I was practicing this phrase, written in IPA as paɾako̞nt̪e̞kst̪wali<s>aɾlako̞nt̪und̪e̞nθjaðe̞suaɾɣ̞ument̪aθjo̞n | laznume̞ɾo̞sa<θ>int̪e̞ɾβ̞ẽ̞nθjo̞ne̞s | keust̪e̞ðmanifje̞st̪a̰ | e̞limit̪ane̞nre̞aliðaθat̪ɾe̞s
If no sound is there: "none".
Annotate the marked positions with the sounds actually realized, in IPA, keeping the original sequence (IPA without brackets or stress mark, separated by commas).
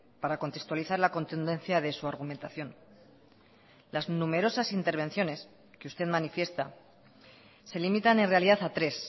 θ, s